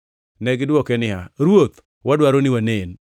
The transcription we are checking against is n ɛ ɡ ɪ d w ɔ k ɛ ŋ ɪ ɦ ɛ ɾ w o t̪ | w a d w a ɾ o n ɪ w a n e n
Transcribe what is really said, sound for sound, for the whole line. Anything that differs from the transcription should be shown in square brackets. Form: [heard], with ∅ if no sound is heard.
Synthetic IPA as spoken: n ɛ ɡ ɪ d w ɔ k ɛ [n] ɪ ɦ [a] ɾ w o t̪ | w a d w a ɾ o n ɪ w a n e n